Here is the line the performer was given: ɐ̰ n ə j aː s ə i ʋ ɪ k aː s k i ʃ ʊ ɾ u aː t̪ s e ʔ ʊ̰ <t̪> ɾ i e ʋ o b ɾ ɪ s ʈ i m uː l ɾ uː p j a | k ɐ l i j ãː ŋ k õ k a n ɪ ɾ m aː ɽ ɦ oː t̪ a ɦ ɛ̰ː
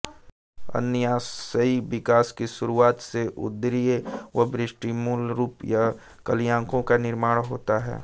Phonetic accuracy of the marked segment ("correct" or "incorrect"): incorrect